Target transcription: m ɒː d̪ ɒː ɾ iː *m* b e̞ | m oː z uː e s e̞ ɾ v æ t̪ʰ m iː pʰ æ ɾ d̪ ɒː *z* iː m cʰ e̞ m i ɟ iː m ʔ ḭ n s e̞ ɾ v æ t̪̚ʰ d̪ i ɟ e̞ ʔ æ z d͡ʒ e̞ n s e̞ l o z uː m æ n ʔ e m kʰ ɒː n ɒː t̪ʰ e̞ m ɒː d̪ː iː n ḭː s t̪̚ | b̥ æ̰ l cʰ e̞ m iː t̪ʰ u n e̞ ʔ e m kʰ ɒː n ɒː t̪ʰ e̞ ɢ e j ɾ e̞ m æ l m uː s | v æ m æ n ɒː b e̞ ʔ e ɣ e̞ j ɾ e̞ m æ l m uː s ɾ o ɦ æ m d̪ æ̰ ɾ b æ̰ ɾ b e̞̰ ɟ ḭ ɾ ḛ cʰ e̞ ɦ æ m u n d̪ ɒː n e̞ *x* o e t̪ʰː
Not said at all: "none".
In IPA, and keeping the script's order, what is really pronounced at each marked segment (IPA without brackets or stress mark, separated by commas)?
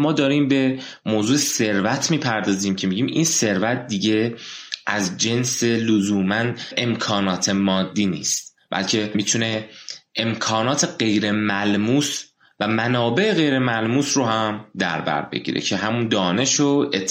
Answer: m, z, ʃ